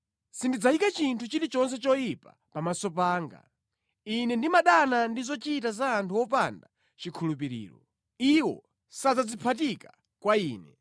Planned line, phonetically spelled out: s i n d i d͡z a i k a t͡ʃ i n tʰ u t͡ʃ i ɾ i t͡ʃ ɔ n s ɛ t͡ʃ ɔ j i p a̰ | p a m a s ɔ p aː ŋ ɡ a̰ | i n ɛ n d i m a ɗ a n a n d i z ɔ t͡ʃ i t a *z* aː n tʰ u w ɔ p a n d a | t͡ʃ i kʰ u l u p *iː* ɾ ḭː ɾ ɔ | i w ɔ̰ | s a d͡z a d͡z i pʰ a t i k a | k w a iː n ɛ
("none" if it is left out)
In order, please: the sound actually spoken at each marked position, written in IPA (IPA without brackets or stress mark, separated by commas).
z, i